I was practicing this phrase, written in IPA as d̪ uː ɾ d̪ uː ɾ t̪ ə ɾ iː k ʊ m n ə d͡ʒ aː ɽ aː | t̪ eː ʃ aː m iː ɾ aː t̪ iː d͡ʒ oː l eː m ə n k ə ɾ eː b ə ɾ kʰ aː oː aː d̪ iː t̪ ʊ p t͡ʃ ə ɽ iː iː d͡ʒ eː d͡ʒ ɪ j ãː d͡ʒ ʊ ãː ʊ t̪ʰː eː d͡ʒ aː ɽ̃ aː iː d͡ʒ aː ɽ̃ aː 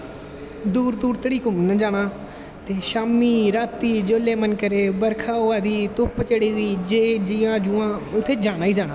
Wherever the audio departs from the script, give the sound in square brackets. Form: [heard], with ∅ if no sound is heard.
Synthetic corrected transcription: d̪ uː ɾ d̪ uː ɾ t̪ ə [ɽ] iː k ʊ m n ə d͡ʒ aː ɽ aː | t̪ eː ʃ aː m iː ɾ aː t̪ iː d͡ʒ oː l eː m ə n k ə ɾ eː b ə ɾ kʰ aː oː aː d̪ iː t̪ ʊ p t͡ʃ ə ɽ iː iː d͡ʒ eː d͡ʒ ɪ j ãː d͡ʒ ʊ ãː ʊ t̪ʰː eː d͡ʒ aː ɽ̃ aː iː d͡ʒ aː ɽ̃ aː

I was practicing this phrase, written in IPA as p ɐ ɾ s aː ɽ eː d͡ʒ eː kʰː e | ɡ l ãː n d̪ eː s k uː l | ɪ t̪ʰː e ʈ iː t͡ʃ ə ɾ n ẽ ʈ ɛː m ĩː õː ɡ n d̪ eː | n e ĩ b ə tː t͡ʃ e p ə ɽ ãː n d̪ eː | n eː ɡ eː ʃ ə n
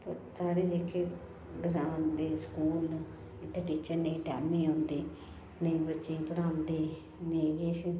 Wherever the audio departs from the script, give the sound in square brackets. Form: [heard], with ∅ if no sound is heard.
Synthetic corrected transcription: p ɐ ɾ s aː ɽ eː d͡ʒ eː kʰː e | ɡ [ɾ] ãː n d̪ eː s k uː l | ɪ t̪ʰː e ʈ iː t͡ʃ ə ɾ n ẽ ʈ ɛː m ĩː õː [∅] n d̪ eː | n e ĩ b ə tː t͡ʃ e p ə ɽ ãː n d̪ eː | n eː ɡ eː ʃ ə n

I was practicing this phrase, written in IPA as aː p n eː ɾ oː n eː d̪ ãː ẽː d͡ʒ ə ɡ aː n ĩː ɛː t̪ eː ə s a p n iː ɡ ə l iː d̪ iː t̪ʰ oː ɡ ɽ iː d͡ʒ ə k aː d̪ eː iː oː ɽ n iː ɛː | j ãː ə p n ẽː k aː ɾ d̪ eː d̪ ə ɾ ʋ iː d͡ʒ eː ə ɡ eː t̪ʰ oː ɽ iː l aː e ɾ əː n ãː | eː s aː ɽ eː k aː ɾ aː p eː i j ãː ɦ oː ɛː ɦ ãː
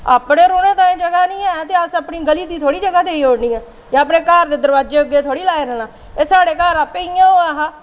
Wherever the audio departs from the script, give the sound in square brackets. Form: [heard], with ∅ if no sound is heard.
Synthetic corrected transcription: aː p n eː ɾ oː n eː [t̪] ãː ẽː d͡ʒ ə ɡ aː n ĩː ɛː t̪ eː ə s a p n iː ɡ ə l iː d̪ iː t̪ʰ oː [∅] ɽ iː d͡ʒ ə [ɡ] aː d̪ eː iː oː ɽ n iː ɛː | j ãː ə p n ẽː k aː ɾ d̪ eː d̪ ə ɾ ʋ [aː] d͡ʒ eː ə ɡ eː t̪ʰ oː ɽ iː l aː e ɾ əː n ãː | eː s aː ɽ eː k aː ɾ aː p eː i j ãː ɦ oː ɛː ɦ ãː

